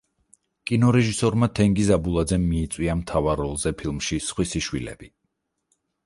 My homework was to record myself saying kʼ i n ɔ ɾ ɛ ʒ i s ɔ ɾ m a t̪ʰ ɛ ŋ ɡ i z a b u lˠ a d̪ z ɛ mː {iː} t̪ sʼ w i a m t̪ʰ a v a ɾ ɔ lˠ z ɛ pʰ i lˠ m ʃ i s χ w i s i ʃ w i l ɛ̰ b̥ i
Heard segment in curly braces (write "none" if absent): iː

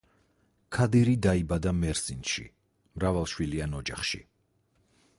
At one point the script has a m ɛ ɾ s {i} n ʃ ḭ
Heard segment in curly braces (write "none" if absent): i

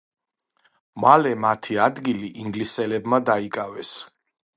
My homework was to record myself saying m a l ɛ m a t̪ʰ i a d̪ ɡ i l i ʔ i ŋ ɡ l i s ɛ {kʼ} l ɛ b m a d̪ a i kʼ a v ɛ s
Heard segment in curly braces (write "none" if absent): none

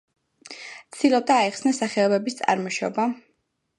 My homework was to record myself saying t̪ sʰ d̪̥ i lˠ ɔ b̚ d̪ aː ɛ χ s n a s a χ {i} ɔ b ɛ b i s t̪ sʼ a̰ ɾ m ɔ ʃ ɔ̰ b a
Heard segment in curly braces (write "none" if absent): ɛ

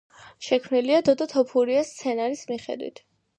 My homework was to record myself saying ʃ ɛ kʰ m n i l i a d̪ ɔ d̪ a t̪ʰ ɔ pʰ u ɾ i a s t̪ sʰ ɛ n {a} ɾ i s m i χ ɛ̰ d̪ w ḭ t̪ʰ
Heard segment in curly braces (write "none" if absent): a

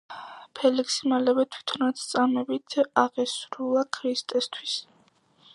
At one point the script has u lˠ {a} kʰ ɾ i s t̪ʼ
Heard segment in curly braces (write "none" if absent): a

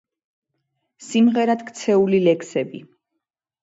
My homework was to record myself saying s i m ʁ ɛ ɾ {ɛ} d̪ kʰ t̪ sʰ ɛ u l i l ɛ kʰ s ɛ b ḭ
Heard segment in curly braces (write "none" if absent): a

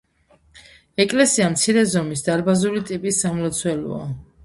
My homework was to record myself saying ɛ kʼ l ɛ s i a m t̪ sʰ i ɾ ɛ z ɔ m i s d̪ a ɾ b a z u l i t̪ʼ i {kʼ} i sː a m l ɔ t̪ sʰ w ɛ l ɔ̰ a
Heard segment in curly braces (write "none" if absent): pʼ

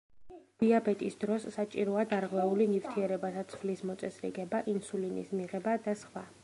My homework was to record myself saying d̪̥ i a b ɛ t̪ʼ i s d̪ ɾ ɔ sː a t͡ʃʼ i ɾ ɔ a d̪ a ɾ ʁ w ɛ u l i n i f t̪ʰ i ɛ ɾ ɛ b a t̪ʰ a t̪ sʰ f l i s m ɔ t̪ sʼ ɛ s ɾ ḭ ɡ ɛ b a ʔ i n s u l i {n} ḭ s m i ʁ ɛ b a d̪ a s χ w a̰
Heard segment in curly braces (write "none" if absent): n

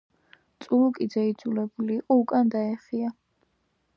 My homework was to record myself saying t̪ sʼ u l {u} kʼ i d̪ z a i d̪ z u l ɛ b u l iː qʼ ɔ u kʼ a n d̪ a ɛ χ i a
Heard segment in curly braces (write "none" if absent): u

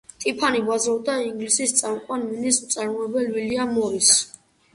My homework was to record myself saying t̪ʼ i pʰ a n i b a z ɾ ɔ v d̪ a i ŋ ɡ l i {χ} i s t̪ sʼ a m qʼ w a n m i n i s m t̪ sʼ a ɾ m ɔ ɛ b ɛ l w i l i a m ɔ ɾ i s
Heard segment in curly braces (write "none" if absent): s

